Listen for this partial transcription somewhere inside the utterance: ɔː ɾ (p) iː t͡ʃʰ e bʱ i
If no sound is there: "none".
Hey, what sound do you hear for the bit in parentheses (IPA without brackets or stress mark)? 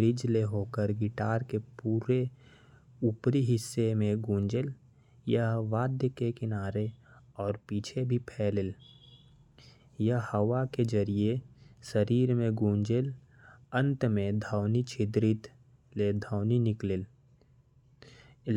p